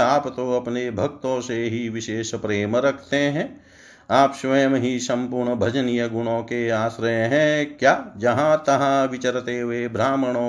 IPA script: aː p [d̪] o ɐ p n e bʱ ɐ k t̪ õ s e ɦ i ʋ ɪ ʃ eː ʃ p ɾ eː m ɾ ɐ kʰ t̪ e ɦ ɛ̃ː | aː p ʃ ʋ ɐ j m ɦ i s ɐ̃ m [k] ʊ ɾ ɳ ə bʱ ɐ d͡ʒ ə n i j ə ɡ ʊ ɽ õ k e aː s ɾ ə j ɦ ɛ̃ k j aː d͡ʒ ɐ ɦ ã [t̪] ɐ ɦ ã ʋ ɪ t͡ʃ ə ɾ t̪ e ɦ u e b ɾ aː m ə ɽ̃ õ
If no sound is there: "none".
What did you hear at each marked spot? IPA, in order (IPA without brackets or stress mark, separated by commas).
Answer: t̪, p, t̪